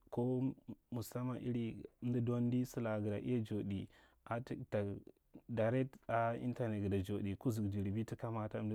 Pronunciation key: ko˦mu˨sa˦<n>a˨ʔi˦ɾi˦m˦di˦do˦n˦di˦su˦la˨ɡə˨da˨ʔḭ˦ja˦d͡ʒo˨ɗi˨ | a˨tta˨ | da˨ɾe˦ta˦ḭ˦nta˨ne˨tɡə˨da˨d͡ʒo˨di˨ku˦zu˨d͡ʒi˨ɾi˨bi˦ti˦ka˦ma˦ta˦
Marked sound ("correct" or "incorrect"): incorrect